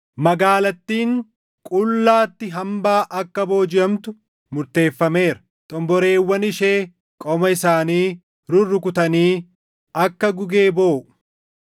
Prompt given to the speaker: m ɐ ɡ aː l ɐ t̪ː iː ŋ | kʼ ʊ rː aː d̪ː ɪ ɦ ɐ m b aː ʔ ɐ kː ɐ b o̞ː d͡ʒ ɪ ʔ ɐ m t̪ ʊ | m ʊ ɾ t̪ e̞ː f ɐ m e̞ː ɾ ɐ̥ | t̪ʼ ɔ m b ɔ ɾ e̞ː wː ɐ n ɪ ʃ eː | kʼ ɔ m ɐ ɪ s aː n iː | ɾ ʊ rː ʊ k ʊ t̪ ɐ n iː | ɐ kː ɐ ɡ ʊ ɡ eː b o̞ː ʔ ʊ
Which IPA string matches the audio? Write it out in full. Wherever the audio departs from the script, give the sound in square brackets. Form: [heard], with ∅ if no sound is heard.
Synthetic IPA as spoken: m ɐ ɡ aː l ɐ t̪ː iː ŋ | kʼ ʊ [lː] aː [t̪ː] ɪ ɦ ɐ m b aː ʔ ɐ kː ɐ b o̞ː d͡ʒ ɪ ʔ ɐ m t̪ ʊ | m ʊ ɾ t̪ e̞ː [fː] ɐ m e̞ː ɾ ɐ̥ | t̪ʼ ɔ m b ɔ ɾ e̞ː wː ɐ n ɪ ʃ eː | kʼ ɔ m ɐ ɪ s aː n iː | ɾ ʊ rː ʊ k ʊ t̪ ɐ n iː | ɐ kː ɐ ɡ ʊ ɡ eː b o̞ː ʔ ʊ